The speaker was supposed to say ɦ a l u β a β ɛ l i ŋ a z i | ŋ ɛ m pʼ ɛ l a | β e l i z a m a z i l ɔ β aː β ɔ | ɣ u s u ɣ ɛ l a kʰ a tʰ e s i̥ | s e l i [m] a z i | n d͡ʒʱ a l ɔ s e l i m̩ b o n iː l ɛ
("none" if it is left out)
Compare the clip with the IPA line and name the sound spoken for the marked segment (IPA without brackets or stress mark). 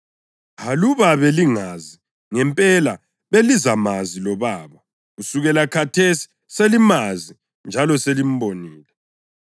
m